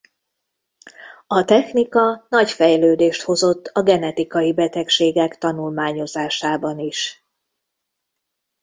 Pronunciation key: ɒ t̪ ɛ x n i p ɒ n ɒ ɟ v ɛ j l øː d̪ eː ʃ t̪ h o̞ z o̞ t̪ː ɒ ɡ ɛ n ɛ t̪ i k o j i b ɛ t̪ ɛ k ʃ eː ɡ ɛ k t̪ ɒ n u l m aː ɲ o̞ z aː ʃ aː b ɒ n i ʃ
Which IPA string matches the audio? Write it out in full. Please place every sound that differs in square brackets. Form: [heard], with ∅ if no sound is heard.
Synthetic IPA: ɒ t̪ ɛ x n i [k] ɒ n ɒ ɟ [f] ɛ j l øː d̪ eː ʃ t̪ h o̞ z o̞ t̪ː ɒ ɡ ɛ n ɛ t̪ i k [ɒ] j i b ɛ t̪ ɛ k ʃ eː ɡ ɛ k t̪ ɒ n u l m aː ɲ o̞ z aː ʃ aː b ɒ n i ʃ